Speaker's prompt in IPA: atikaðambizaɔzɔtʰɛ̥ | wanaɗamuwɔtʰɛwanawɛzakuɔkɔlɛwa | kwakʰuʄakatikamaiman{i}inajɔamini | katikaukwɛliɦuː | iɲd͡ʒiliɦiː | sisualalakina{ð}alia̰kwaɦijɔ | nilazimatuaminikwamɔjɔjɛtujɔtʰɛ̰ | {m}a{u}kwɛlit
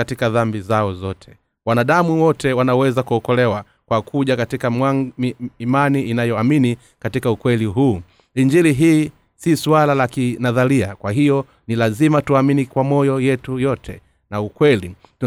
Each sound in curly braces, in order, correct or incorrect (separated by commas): correct, correct, incorrect, correct